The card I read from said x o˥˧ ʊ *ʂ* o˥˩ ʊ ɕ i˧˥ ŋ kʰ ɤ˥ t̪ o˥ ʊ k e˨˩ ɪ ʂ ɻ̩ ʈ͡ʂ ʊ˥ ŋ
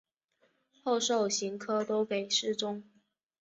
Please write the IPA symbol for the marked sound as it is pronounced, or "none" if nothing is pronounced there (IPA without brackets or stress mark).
ʂ